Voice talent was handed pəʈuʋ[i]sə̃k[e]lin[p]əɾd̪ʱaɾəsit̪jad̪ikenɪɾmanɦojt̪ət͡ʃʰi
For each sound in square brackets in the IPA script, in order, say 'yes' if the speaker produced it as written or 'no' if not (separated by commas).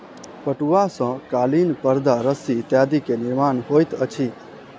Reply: no, no, yes